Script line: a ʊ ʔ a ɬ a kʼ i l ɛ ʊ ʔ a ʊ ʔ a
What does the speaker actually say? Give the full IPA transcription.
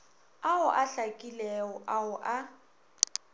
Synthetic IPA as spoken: a ʊ ʔ a ɬ a kʼ i l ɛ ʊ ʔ a ʊ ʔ a